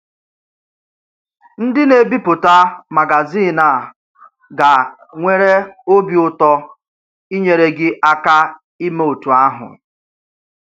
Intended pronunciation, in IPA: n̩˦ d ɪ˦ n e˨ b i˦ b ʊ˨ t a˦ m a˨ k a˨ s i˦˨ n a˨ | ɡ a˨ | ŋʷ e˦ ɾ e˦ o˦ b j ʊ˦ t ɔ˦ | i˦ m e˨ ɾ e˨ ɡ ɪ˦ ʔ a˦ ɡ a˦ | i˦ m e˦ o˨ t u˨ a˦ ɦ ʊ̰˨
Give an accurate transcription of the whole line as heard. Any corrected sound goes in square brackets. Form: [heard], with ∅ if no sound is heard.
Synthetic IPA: n̩˦ d ɪ˦ n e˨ b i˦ [p] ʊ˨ t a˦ m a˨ [ɡ] a˨ [z] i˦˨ n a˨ | ɡ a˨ | ŋʷ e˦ ɾ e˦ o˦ b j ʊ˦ t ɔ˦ | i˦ [ɲ] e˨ ɾ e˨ ɡ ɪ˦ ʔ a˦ [k] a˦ | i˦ m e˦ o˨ t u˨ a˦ ɦ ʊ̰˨